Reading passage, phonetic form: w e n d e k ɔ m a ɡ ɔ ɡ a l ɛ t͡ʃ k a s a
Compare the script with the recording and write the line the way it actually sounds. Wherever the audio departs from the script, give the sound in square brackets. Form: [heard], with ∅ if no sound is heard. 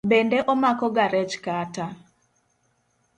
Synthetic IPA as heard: [b] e n d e [ʔ] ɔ m a [k] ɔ ɡ a [ɾ] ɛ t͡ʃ k a [t] a